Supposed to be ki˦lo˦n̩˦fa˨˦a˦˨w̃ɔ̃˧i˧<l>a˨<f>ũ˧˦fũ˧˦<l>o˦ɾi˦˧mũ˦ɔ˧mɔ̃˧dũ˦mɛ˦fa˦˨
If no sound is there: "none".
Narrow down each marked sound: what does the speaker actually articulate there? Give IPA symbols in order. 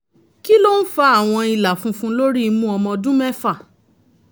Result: l, f, l

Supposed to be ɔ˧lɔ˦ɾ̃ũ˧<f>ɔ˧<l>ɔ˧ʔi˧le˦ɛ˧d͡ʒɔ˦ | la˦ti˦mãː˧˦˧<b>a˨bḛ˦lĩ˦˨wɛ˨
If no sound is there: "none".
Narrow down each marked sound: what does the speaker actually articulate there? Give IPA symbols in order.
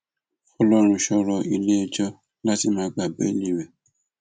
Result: ʃ, ɾ, ɡ͡b

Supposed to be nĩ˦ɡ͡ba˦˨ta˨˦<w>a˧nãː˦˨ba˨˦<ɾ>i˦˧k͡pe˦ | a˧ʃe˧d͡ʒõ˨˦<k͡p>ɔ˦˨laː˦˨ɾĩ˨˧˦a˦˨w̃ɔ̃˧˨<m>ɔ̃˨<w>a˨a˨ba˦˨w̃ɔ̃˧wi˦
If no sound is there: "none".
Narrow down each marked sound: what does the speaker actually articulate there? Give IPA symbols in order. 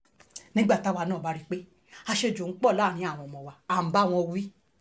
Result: w, ɾ, k͡p, m, w

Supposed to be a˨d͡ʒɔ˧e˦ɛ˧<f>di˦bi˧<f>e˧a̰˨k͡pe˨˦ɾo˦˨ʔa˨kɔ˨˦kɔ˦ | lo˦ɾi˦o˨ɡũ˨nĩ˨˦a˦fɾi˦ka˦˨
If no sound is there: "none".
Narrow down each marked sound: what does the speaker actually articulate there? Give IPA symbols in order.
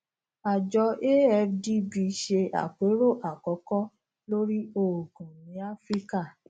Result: f, ʃ

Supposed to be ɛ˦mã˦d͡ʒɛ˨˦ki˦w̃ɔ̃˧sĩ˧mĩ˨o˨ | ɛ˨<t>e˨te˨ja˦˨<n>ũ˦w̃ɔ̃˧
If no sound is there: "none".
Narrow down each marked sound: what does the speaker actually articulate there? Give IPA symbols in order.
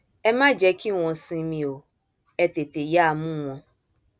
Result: t, m

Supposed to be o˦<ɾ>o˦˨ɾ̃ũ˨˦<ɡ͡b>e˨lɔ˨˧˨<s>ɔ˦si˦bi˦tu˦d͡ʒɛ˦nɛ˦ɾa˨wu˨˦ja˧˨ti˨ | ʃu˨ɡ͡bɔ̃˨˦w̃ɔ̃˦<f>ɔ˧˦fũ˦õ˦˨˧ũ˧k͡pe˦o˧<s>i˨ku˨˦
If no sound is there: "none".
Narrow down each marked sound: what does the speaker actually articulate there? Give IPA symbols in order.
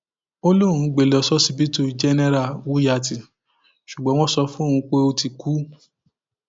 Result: l, ɡ͡b, s, s, t

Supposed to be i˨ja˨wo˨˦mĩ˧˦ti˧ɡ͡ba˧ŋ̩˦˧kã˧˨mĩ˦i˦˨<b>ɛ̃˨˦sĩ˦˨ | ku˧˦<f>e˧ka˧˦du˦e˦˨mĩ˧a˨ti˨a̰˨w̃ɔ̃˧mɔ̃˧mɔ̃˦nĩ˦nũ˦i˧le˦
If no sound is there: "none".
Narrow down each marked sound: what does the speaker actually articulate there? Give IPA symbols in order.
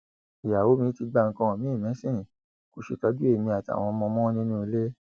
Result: m, ʃ

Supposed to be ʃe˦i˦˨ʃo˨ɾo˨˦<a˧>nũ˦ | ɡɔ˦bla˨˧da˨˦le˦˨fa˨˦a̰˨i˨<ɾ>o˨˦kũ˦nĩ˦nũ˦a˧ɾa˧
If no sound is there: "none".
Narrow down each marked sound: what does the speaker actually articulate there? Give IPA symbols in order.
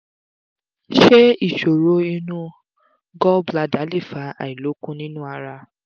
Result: i˧, l

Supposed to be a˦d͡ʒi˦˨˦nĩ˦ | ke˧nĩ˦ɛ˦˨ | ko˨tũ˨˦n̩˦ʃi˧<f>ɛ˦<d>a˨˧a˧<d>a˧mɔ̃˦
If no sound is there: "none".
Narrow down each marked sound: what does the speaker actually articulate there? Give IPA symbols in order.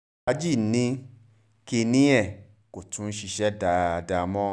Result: ʃ, d, d

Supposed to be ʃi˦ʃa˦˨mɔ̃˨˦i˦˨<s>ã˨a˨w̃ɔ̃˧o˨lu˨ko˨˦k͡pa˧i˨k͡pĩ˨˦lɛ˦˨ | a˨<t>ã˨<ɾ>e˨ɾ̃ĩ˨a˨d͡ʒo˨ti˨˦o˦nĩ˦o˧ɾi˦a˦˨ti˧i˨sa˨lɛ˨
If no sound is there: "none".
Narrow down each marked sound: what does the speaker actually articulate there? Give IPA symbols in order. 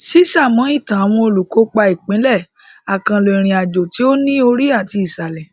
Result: t, k, l

